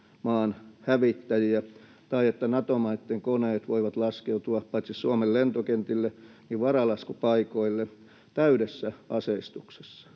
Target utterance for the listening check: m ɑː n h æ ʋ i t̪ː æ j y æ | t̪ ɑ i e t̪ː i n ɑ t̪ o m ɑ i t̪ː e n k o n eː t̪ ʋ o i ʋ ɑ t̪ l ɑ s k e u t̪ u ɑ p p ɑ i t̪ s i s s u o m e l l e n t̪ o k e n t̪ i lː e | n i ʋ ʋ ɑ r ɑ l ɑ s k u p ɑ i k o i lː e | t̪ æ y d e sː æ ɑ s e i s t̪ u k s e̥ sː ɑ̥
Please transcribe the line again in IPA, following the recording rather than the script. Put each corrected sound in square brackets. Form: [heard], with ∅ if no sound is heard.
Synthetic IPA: m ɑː n h æ ʋ i t̪ː æ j [i] æ | t̪ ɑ i e t̪ː [æ] n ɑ t̪ o m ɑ i t̪ː e [ŋ] k o n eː t̪ ʋ o i ʋ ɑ t̪ l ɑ s k e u t̪ u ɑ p p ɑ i t̪ s i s s u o m e l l e n t̪ o k e n t̪ i lː e | n i ʋ ʋ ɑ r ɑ l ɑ s k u p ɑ i k o i lː e | t̪ æ y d e sː æ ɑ s e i s t̪ u k s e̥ sː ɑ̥